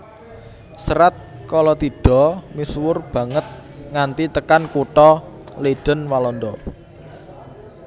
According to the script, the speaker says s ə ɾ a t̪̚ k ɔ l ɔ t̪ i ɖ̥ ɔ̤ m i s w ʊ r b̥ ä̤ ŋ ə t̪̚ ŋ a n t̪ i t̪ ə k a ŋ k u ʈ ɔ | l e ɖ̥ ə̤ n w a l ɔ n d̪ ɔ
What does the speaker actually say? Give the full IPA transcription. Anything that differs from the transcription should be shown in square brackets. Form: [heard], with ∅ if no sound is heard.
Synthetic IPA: s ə ɾ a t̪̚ k ɔ l ɔ t̪ i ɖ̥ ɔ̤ m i s w ʊ r b̥ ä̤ ŋ ə t̪̚ ŋ a n t̪ i t̪ ə k a [n] k u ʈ ɔ | l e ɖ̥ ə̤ n w a l ɔ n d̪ ɔ